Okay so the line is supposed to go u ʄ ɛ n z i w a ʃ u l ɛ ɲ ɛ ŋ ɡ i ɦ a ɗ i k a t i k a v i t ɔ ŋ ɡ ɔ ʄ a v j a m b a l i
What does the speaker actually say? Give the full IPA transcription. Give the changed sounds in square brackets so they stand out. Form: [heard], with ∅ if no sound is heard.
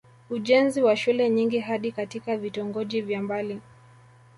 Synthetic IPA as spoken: u ʄ ɛ n z i w a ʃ u l ɛ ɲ [i] ŋ ɡ i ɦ a ɗ i k a t i k a v i t ɔ ŋ ɡ ɔ ʄ [i] v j a m b a l i